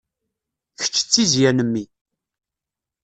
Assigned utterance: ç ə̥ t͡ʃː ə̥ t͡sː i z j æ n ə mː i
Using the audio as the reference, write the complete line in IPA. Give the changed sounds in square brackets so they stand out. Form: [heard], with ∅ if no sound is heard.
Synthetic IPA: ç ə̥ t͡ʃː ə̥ t͡sː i z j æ n ə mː i